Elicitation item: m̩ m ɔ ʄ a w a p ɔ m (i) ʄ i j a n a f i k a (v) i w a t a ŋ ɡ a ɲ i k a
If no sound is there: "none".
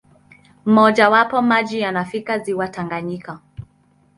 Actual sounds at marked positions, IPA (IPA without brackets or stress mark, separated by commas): a, z